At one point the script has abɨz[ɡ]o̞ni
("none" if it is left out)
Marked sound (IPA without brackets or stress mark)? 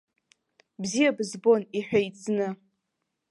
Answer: b